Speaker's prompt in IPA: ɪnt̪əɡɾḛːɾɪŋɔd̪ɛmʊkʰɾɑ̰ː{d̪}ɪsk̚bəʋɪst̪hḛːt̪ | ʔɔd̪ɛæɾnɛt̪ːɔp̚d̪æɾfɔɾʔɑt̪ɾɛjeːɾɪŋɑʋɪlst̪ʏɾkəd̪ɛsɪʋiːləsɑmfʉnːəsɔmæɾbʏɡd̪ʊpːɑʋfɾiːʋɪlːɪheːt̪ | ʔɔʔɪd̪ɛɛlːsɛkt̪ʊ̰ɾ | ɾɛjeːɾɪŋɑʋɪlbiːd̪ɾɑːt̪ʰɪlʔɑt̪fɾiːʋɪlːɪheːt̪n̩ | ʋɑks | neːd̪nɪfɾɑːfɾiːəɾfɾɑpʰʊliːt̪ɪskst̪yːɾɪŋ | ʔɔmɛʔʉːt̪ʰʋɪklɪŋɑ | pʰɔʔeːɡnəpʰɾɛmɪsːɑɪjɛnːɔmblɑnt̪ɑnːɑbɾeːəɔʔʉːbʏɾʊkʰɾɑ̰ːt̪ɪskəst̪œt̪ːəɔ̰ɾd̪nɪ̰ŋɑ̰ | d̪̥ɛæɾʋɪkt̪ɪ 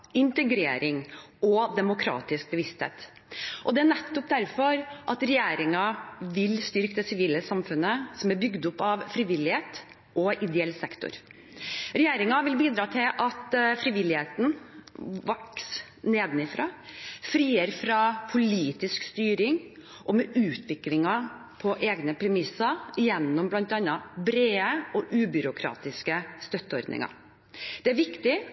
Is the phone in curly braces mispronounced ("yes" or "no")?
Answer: yes